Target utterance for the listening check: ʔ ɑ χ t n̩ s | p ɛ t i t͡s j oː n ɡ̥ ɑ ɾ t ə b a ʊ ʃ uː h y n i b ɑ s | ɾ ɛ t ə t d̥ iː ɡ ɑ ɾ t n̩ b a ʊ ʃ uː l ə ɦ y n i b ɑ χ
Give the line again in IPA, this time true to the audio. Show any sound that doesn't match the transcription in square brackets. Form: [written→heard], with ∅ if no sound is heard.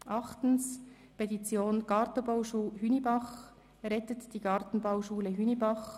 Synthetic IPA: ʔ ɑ χ t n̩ s | p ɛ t i t͡s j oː n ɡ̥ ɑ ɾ t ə b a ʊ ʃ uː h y n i b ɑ [s→χ] | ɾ ɛ t ə t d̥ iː ɡ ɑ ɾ t n̩ b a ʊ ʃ uː l ə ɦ y n i b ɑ χ